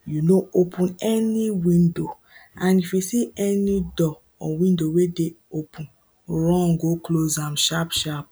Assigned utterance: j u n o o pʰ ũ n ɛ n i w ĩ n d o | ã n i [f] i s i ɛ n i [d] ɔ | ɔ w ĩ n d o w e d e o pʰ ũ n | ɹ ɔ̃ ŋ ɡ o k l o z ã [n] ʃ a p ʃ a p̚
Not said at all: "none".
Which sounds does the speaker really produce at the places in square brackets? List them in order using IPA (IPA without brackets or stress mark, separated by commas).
f, d, m